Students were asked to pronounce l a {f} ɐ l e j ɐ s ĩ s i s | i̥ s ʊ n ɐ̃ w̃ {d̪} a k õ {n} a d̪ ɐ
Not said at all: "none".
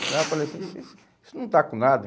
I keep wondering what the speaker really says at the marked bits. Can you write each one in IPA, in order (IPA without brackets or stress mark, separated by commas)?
f, t̪, n